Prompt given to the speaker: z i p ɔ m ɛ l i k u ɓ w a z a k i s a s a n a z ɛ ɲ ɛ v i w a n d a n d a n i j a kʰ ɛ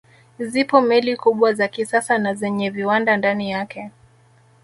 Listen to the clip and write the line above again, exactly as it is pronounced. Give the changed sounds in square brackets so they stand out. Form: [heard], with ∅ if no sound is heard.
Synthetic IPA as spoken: z i p ɔ m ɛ l i k u ɓ w a z a k i s a s a n a z ɛ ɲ ɛ v i w a n d a n d a n i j a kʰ ɛ

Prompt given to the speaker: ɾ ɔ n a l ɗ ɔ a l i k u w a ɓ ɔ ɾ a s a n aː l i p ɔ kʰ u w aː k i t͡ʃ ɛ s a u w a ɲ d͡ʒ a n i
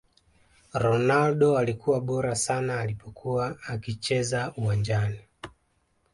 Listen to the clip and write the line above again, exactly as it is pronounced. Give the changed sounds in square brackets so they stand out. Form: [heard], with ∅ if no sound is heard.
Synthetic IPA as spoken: ɾ ɔ n a l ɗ ɔ a l i k u w a ɓ ɔ ɾ a s a n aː l i p ɔ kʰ u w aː k i t͡ʃ ɛ [z] a u w a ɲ d͡ʒ a n i

